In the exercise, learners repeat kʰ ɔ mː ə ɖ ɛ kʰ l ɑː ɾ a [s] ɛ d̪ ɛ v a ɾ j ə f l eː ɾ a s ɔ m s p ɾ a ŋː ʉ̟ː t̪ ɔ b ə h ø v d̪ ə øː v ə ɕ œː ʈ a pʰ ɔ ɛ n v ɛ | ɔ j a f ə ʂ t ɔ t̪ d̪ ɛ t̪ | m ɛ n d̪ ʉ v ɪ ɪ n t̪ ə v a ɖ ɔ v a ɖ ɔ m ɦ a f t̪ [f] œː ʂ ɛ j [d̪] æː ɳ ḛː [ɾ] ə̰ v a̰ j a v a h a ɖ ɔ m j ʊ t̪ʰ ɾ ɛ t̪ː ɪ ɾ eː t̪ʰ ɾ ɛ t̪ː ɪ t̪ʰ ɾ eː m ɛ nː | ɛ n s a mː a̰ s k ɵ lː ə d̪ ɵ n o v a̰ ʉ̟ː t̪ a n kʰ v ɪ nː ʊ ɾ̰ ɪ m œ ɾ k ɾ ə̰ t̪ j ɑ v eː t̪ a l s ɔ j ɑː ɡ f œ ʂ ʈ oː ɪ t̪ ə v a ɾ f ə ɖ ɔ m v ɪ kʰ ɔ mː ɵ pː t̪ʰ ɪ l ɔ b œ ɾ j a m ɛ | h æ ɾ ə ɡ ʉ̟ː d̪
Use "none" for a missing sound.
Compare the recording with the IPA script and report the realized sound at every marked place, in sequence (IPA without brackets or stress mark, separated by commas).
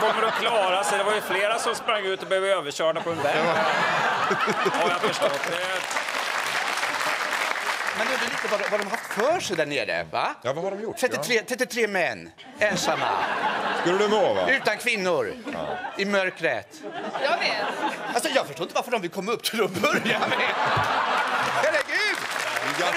s, f, d̪, ɾ